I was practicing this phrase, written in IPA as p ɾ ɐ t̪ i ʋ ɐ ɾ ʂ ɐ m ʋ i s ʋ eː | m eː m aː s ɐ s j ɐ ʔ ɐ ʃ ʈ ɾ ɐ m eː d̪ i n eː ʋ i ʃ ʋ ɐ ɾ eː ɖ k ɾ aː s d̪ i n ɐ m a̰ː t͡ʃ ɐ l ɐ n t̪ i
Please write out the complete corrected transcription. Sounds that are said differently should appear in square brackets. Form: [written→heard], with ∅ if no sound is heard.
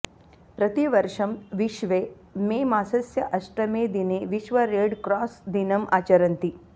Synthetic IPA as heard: p ɾ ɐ t̪ i ʋ ɐ ɾ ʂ ɐ m ʋ i [s→ʃ] ʋ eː | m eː m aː s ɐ s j ɐ ʔ ɐ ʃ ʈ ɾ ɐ m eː d̪ i n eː ʋ i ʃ ʋ ɐ ɾ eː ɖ k ɾ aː s d̪ i n ɐ m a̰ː t͡ʃ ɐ [l→ɾ] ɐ n t̪ i